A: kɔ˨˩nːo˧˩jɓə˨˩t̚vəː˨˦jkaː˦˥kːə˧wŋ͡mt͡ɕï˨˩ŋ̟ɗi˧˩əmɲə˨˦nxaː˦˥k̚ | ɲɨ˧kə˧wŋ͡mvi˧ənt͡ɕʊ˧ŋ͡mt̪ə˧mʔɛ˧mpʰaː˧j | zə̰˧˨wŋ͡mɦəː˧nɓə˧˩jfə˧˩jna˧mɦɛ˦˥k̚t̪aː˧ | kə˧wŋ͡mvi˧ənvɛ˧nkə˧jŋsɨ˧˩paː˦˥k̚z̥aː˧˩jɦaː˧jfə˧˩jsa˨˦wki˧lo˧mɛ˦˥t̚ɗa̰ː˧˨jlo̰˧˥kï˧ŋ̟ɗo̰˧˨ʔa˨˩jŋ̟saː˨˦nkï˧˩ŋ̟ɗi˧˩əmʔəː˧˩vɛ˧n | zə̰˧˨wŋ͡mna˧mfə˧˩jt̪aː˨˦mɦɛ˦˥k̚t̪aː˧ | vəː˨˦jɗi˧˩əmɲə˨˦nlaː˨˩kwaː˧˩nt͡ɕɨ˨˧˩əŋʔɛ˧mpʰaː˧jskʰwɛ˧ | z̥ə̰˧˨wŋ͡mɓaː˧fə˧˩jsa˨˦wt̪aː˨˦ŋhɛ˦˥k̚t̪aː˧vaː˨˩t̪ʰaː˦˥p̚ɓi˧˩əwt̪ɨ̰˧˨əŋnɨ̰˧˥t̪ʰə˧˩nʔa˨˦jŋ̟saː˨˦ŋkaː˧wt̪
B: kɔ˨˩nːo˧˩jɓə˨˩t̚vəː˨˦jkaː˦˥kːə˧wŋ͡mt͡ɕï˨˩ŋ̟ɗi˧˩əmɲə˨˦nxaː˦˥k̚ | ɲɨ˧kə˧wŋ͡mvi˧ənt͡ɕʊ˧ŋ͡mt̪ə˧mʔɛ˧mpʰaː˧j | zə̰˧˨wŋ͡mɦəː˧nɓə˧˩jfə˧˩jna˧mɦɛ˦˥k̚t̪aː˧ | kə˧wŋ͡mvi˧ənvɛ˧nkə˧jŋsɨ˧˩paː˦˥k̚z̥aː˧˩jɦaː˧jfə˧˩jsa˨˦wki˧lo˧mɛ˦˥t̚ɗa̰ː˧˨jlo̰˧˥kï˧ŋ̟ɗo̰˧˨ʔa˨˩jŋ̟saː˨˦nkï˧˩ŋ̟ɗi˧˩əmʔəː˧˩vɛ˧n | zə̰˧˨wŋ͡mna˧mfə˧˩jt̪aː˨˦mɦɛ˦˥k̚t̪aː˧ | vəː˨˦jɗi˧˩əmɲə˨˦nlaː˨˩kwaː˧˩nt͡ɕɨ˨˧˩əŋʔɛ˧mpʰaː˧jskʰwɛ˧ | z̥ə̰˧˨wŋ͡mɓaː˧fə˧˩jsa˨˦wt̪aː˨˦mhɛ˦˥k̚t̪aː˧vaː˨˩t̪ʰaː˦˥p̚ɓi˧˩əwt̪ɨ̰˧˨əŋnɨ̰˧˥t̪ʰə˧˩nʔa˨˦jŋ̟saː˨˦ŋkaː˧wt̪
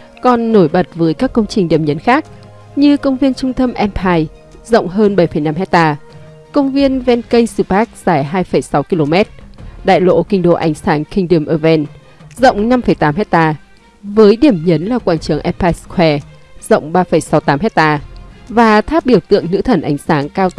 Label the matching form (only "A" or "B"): B